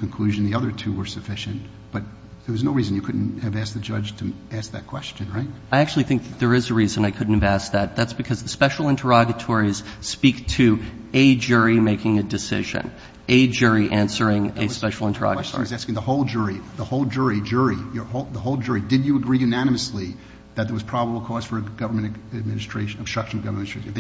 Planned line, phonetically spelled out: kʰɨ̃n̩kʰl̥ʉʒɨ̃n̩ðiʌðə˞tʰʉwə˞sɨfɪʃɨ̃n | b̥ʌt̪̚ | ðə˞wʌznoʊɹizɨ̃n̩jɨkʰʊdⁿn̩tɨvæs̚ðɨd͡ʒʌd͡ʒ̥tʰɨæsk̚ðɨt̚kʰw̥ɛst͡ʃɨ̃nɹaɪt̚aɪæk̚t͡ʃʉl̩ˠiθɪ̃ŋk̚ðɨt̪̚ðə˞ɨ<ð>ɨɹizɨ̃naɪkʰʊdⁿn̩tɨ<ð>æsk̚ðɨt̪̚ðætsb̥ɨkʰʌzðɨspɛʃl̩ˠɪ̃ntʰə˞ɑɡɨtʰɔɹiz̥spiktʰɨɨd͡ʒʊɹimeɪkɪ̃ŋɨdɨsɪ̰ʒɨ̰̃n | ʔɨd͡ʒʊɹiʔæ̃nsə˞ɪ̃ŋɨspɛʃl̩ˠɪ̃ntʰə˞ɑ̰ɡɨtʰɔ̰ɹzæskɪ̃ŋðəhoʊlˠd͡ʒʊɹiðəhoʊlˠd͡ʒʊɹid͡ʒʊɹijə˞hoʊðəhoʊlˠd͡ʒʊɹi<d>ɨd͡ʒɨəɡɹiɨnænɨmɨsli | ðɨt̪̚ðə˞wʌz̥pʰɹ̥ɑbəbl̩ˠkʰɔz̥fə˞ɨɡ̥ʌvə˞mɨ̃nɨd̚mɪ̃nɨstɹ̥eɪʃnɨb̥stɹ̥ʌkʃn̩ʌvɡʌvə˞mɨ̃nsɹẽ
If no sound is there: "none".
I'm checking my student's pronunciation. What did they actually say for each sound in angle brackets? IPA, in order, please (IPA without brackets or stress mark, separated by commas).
z, v, d